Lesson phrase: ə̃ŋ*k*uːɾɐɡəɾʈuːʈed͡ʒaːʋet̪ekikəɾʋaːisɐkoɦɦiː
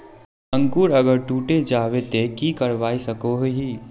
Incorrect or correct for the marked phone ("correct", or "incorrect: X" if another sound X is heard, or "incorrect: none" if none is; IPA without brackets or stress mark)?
correct